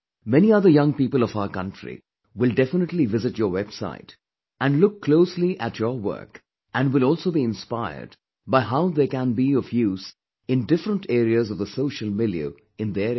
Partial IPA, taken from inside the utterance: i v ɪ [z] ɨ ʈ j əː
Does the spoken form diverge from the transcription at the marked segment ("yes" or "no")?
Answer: no